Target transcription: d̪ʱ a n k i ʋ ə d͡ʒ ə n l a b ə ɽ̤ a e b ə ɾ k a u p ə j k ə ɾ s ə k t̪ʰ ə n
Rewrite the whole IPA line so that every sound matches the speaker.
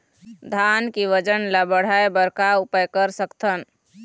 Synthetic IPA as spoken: d̪ʱ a n k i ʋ ə d͡ʒ ə n l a b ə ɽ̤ a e b ə ɾ k a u p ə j k ə ɾ s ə k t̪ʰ ə n